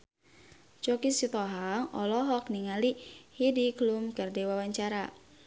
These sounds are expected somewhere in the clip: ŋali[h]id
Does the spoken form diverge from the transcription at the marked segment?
no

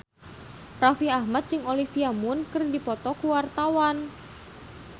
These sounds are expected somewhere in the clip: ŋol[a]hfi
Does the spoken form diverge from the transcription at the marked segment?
yes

